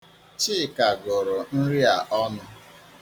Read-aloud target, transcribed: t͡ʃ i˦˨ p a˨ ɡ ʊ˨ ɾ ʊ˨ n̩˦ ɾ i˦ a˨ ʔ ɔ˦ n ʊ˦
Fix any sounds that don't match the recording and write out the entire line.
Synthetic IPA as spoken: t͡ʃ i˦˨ k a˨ ɡ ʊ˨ ɾ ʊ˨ n̩˦ ɾ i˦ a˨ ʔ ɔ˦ n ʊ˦